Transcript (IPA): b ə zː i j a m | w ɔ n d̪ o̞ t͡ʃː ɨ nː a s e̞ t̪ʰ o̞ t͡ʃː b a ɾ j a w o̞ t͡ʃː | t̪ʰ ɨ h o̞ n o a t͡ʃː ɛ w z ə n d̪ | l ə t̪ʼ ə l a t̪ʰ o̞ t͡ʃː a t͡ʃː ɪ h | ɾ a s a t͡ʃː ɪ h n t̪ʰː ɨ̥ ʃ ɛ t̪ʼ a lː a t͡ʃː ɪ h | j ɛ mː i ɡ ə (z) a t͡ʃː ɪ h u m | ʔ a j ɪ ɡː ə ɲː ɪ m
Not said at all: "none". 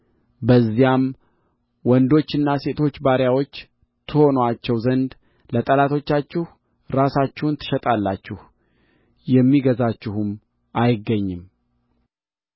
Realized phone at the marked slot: z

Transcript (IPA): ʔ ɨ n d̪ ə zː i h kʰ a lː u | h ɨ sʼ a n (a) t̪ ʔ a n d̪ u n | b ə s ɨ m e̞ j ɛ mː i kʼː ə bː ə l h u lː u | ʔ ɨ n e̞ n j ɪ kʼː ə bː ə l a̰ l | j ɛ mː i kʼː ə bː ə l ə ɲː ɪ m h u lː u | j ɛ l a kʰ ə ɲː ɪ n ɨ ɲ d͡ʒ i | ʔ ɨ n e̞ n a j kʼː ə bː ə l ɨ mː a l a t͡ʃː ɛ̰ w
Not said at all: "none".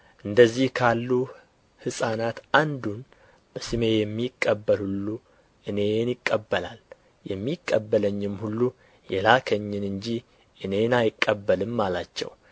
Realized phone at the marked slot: a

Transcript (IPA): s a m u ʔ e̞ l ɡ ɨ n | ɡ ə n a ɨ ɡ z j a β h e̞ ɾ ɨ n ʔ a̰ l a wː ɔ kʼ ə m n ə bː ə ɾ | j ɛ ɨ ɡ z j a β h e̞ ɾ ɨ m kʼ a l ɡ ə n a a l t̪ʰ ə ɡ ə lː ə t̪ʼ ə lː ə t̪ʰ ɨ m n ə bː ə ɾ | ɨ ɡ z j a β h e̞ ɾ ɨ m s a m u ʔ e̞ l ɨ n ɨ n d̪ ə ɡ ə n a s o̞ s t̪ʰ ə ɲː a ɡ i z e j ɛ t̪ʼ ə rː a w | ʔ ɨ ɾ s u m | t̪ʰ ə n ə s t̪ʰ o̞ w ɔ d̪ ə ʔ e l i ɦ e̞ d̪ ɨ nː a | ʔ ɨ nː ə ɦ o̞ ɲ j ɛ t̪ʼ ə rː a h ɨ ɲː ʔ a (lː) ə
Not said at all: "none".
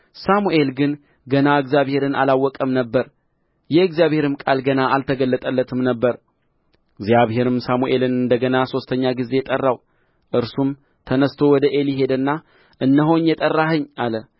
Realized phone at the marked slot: l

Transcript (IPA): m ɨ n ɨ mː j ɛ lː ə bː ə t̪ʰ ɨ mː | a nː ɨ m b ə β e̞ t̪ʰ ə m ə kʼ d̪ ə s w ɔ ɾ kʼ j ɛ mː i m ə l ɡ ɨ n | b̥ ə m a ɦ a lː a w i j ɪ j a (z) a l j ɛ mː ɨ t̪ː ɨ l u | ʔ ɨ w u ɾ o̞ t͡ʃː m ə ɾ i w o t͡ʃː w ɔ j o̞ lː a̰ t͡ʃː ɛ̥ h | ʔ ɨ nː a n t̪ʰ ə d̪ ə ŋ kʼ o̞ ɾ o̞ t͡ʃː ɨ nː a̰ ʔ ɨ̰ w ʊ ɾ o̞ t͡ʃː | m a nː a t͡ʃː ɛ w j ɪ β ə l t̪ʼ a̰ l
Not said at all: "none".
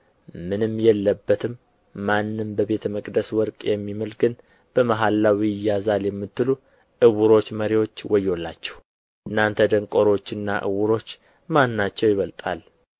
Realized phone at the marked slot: z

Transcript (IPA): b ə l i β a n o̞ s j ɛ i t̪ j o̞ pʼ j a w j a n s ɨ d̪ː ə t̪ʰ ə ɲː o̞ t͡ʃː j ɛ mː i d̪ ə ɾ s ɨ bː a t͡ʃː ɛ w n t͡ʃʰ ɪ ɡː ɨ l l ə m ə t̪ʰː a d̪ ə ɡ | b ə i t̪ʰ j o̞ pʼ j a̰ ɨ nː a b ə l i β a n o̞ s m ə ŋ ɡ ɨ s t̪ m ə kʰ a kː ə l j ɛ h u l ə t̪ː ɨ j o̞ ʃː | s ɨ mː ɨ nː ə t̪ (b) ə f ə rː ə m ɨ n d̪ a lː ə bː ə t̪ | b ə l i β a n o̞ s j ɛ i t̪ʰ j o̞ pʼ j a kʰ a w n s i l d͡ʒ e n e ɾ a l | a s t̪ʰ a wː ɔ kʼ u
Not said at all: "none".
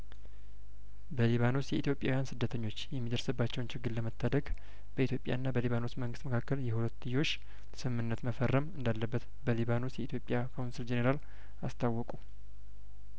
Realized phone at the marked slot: m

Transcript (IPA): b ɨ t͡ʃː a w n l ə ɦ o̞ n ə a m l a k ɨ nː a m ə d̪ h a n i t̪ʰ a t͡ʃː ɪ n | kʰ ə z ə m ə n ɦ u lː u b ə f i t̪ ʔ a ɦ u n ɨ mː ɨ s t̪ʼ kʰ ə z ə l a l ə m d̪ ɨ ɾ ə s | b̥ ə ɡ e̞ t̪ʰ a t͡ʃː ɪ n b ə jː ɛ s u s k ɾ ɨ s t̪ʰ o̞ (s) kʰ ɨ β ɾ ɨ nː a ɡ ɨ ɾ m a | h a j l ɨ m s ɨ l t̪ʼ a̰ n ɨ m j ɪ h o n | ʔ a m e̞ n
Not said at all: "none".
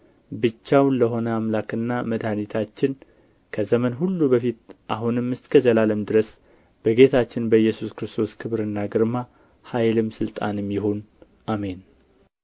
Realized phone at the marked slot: s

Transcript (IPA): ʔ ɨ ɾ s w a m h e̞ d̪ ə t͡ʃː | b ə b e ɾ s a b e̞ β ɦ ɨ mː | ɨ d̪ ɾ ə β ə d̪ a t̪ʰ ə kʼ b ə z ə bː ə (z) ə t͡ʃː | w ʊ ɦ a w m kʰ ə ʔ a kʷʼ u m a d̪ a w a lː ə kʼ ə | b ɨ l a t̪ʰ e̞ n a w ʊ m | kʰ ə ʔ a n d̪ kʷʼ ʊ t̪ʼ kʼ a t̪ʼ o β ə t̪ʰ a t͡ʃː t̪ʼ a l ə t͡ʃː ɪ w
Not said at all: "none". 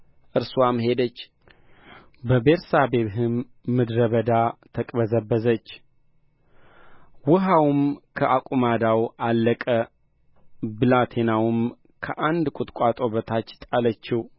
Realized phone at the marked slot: z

